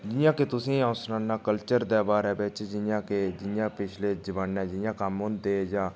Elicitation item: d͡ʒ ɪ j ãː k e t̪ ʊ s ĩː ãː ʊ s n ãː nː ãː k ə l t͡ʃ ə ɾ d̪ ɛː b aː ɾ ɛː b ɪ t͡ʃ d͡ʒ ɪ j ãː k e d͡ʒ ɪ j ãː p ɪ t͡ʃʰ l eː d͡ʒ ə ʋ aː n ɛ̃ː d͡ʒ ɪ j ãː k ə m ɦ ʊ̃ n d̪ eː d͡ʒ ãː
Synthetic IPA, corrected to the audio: d͡ʒ ɪ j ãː k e t̪ ʊ s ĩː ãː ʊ s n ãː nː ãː k ə l t͡ʃ ə ɾ d̪ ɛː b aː ɾ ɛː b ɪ t͡ʃ d͡ʒ ɪ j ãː k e d͡ʒ ɪ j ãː p ɪ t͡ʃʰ l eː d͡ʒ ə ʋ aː n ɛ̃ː d͡ʒ ɪ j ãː k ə m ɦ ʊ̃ n d̪ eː d͡ʒ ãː